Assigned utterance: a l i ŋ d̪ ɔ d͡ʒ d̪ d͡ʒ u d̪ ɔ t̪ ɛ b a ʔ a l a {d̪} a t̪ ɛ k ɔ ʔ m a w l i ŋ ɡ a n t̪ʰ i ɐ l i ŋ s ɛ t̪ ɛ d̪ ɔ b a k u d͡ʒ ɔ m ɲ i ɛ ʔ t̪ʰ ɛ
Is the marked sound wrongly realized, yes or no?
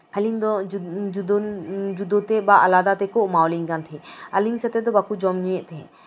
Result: no